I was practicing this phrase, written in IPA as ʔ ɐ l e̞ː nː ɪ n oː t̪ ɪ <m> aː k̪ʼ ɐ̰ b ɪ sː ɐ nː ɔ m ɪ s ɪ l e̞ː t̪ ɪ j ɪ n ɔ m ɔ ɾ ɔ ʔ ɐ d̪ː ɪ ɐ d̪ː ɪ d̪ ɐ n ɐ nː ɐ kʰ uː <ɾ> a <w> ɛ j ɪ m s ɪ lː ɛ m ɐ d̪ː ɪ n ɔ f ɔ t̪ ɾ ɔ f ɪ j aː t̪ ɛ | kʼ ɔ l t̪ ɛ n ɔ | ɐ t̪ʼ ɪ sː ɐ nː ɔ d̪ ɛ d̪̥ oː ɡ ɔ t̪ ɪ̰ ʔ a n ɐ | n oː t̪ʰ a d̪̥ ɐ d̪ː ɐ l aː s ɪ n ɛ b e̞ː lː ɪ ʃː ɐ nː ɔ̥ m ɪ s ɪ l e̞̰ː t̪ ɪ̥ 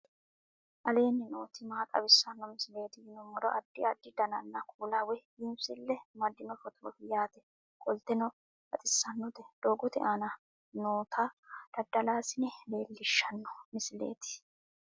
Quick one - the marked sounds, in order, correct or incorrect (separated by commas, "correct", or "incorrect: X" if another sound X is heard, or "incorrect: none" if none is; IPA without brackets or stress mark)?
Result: correct, incorrect: l, correct